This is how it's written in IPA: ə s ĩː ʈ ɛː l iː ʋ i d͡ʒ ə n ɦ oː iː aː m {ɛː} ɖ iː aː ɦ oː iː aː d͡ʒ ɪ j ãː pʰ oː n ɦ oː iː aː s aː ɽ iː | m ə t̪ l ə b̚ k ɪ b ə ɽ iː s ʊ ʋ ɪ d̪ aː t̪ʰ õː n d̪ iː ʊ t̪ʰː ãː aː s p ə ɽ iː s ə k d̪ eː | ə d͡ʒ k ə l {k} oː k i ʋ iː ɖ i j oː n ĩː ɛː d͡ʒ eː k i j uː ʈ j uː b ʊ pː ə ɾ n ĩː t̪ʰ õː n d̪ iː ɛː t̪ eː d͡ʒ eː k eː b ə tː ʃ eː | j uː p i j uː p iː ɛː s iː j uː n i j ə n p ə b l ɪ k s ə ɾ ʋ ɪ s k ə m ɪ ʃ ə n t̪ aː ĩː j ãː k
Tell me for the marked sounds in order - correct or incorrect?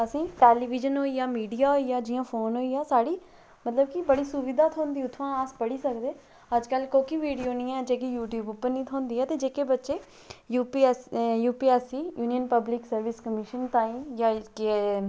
incorrect, correct

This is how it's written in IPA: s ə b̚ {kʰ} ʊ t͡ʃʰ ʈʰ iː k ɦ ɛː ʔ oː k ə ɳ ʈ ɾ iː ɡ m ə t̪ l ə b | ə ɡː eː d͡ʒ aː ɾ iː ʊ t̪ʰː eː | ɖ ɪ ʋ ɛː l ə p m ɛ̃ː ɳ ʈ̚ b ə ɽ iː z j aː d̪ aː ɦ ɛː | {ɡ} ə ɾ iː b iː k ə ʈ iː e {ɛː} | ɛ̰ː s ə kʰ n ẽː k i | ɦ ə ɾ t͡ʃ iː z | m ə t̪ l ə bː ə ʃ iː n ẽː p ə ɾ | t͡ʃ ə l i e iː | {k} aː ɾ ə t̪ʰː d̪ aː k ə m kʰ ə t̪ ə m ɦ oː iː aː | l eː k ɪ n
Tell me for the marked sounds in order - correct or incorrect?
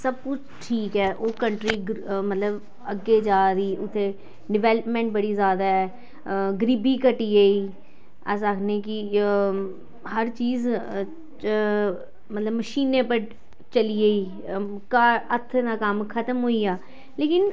incorrect, correct, incorrect, correct

